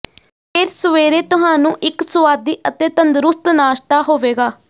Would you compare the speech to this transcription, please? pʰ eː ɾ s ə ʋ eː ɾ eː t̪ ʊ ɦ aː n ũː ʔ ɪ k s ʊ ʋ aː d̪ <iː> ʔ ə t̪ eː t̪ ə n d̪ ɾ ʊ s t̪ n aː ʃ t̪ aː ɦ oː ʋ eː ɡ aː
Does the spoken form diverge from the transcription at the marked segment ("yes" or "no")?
no